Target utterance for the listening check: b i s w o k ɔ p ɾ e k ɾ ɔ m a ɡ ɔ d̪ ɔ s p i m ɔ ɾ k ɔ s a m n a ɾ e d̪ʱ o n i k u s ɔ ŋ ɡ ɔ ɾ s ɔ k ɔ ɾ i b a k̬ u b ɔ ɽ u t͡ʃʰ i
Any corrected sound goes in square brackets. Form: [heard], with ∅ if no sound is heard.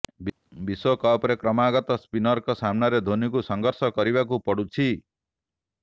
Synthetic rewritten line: b i s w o k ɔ p ɾ e k ɾ ɔ m a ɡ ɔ [t̪] ɔ s p i [n] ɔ ɾ k ɔ s a m n a ɾ e d̪ʱ o n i k u s ɔ ŋ ɡ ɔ ɾ s ɔ k ɔ ɾ i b a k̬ u [p] ɔ ɽ u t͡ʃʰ i